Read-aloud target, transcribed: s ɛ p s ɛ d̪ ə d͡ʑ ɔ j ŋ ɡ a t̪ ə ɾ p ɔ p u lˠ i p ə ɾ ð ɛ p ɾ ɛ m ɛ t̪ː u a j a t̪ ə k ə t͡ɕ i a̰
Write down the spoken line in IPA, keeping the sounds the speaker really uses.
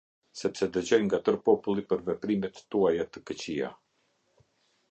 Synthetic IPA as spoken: s ɛ p s ɛ d̪ ə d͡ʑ ɔ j ŋ ɡ a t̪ ə ɾ p ɔ p u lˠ i p ə ɾ v ɛ p ɾ i m ɛ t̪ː u a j a t̪ ə k ə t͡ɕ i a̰